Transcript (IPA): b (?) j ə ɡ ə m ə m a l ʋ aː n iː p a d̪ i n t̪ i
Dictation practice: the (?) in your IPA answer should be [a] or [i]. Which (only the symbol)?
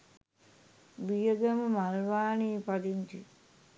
i